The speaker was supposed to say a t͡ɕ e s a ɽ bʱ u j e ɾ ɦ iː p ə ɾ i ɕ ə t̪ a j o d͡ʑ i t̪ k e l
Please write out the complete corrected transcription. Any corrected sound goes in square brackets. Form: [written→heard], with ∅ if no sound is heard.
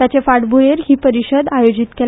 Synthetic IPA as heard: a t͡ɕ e [s→f] a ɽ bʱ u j e ɾ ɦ iː p ə ɾ i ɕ ə [t̪→d̪] a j o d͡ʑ i t̪ k e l